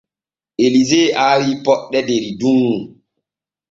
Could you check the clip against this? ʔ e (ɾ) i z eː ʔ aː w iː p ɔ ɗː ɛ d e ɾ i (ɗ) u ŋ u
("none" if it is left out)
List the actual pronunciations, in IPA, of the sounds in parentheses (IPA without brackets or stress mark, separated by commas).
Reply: l, d